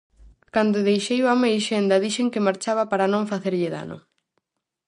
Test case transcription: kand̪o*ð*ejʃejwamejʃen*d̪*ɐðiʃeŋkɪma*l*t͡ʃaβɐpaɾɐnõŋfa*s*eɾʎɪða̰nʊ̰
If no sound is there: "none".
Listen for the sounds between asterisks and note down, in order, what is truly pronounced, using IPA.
ð, d̪, ɾ, θ

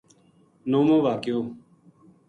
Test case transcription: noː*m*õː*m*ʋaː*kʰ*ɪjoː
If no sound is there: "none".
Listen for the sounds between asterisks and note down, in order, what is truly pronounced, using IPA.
m, none, k

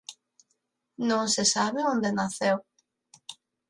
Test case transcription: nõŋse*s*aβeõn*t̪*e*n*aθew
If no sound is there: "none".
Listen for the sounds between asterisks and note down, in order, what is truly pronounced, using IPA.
s, d̪, n

